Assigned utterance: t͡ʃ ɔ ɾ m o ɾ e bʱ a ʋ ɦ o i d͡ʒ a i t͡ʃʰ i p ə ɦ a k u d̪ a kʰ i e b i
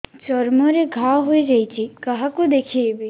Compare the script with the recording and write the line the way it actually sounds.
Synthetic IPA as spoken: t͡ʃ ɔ ɾ m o ɾ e ɡʱ a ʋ ɦ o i d͡ʒ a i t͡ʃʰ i k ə ɦ a k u d̪ e kʰ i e b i